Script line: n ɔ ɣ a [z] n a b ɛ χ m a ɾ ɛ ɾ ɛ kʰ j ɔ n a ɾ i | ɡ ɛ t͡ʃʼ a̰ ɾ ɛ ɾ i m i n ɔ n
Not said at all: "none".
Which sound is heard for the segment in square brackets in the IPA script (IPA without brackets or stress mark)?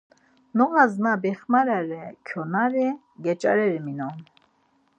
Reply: z